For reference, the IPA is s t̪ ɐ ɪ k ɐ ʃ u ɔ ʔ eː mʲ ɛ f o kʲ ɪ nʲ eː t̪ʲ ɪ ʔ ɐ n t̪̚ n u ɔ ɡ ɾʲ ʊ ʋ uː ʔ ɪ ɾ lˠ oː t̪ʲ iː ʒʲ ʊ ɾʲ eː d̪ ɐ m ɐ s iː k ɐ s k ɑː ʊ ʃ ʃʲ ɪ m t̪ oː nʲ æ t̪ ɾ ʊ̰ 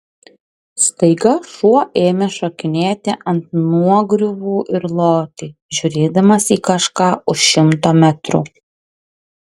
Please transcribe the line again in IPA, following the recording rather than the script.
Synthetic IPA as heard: s t̪ ɐ ɪ ɡ ɐ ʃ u ɔ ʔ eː mʲ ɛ ʃ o kʲ ɪ nʲ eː t̪ʲ ɪ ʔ ɐ n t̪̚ n u ɔ ɡ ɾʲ ʊ ʋ uː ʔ ɪ ɾ lˠ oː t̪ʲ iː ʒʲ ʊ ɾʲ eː d̪ ɐ m ɐ s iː k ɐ ʃ k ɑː ʊ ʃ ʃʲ ɪ m t̪ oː mʲ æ t̪ ɾ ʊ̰

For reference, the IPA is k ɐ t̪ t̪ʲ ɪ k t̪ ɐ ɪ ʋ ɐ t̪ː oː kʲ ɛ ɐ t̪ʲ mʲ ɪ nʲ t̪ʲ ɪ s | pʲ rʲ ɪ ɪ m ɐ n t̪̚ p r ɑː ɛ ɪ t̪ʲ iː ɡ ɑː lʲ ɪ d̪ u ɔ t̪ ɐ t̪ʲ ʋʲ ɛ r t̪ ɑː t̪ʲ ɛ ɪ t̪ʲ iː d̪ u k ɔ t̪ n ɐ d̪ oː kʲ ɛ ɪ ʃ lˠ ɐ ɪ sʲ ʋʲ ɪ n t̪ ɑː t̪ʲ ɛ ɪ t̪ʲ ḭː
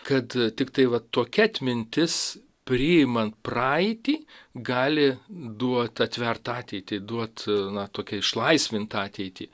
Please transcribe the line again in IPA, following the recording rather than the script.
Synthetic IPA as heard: k ɐ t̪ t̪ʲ ɪ k t̪ ɐ ɪ ʋ ɐ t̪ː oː kʲ ɛ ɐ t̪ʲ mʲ ɪ nʲ t̪ʲ ɪ s | pʲ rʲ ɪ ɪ m ɐ n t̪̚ p r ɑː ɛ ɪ t̪ʲ iː ɡ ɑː lʲ ɪ d̪ u ɔ t̪ ɐ t̪ʲ ʋʲ ɛ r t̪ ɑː t̪ʲ ɛ ɪ t̪ʲ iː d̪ u ɔ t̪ n ɐ t̪ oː kʲ ɛ ɪ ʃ lˠ ɐ ɪ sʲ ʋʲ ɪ n t̪ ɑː t̪ʲ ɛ ɪ t̪ʲ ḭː

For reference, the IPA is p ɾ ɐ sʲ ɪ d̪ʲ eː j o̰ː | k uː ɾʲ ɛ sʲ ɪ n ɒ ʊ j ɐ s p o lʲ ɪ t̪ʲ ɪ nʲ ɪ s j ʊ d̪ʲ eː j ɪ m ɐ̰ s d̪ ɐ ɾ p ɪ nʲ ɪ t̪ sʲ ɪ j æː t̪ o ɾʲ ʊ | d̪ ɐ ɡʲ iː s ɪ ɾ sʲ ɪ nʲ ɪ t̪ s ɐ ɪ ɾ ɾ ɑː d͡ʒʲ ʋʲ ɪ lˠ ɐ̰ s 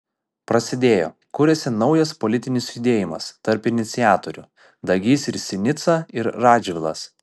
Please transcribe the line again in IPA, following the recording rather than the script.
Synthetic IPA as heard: p ɾ ɐ sʲ ɪ d̪ʲ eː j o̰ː | k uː ɾʲ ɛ sʲ ɪ n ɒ ʊ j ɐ s p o lʲ ɪ t̪ʲ ɪ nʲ ɪ s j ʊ d̪ʲ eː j ɪ m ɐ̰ s t̪ ɐ ɾ p ɪ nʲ ɪ t̪ sʲ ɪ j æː t̪ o ɾʲ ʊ | d̪ ɐ ɡʲ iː s ɪ ɾ sʲ ɪ nʲ ɪ t̪ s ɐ ɪ ɾ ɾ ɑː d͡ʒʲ ʋʲ ɪ lˠ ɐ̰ s

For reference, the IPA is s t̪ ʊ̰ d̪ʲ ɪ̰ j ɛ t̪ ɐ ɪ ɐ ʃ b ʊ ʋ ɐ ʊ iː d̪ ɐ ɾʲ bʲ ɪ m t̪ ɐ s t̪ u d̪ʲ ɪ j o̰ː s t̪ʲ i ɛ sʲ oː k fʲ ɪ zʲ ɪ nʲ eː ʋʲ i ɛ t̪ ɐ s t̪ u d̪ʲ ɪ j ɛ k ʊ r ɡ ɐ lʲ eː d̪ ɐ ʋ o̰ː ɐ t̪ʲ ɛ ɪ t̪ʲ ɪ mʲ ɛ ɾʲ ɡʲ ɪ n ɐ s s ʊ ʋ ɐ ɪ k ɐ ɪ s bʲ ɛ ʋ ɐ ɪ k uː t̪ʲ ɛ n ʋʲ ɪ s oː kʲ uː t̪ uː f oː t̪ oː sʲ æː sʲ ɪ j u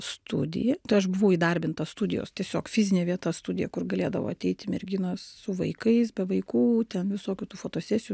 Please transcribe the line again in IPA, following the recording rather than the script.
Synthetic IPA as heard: s t̪ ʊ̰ d̪ʲ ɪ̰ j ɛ t̪ ɐ ɪ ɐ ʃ b ʊ ʋ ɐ ʊ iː d̪ ɐ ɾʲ bʲ ɪ n t̪ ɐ s t̪ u d̪ʲ ɪ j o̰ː s t̪ʲ i ɛ sʲ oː k fʲ ɪ zʲ ɪ nʲ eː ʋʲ i ɛ t̪ ɐ s t̪ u d̪ʲ ɪ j ɛ k ʊ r ɡ ɐ lʲ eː d̪ ɐ ʋ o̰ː ɐ t̪ʲ ɛ ɪ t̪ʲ ɪ mʲ ɛ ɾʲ ɡʲ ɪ n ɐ s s ʊ ʋ ɐ ɪ k ɐ ɪ s bʲ ɛ ʋ ɐ ɪ k uː t̪ʲ ɛ n ʋʲ ɪ s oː kʲ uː t̪ uː f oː t̪ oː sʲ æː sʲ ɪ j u

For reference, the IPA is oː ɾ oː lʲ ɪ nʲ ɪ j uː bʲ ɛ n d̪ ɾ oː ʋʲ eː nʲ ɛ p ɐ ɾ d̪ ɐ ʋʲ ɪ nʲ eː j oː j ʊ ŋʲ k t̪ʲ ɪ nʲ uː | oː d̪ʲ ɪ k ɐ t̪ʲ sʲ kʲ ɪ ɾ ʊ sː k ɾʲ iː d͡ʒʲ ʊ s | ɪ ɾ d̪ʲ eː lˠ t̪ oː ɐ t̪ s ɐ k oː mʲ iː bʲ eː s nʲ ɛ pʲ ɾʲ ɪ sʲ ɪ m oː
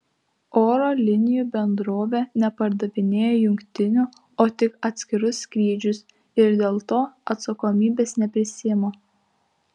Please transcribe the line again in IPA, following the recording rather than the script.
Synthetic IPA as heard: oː ɾ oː lʲ ɪ nʲ ɪ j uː bʲ ɛ n d̪ ɾ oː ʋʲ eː nʲ ɛ p ɐ ɾ d̪ ɐ ʋʲ ɪ nʲ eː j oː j ʊ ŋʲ k t̪ʲ ɪ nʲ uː | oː t̪ʲ ɪ k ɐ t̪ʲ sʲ kʲ ɪ ɾ ʊ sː k ɾʲ iː d͡ʒʲ ʊ s | ɪ ɾ d̪ʲ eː lˠ t̪ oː ɐ t̪ s ɐ k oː mʲ iː bʲ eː s nʲ ɛ pʲ ɾʲ ɪ sʲ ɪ m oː

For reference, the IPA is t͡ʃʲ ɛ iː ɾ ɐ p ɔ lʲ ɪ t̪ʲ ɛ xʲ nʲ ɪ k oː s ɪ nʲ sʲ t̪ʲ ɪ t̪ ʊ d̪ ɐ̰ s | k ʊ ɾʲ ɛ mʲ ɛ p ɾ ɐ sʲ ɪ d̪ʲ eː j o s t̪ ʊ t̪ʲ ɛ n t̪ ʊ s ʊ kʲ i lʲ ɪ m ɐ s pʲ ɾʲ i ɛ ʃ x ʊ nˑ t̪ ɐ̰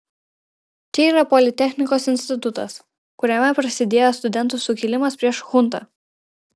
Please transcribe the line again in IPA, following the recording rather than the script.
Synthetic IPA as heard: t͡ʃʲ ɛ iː ɾ ɐ p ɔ lʲ ɪ t̪ʲ ɛ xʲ nʲ ɪ k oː s ɪ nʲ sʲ t̪ʲ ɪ t̪ ʊ t̪ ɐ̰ s | k ʊ ɾʲ ɛ mʲ ɛ p ɾ ɐ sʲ ɪ d̪ʲ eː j o s t̪ ʊ d̪ʲ ɛ n t̪ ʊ s ʊ kʲ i lʲ ɪ m ɐ s pʲ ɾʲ i ɛ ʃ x ʊ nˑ t̪ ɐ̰

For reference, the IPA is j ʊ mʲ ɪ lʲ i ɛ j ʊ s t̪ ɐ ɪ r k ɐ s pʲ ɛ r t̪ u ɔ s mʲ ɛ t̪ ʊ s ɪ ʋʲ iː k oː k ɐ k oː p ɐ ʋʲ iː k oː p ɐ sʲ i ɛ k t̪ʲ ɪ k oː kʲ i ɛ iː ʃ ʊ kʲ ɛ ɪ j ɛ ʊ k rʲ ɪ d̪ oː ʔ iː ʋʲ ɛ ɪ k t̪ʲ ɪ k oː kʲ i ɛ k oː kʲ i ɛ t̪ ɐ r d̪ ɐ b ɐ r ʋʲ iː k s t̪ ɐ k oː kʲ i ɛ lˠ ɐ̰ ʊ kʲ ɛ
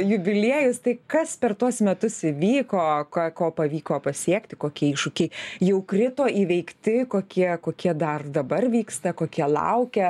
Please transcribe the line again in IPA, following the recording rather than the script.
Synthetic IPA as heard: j ʊ bʲ ɪ lʲ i ɛ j ʊ s t̪ ɐ ɪ k ɐ s pʲ ɛ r t̪ u ɔ s mʲ ɛ t̪ ʊ s ɪ ʋʲ iː k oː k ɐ k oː p ɐ ʋʲ iː k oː p ɐ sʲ i ɛ k t̪ʲ ɪ k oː kʲ i ɛ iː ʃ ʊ kʲ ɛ ɪ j ɛ ʊ k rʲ ɪ t̪ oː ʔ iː ʋʲ ɛ ɪ k t̪ʲ ɪ k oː kʲ i ɛ k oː kʲ i ɛ d̪ ɐ r d̪ ɐ b ɐ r ʋʲ iː k s t̪ ɐ k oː kʲ i ɛ lˠ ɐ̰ ʊ kʲ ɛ

